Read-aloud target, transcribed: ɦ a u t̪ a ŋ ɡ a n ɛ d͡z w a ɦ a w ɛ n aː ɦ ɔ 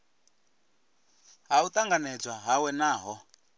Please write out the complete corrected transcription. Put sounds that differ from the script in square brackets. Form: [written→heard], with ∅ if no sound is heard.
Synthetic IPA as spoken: ɦ a u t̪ a ŋ ɡ a n ɛ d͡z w a ɦ a w ɛ n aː ɦ ɔ